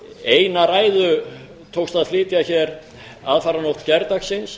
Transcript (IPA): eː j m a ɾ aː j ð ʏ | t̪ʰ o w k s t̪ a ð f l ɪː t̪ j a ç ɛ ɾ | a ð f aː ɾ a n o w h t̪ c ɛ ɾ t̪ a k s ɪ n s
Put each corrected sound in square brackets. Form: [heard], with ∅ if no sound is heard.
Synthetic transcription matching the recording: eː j [n] a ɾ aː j ð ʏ | t̪ʰ o w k s t̪ a ð f l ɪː t̪ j a ç ɛ ɾ | a ð f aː ɾ a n o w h t̪ c ɛ ɾ t̪ a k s ɪ n s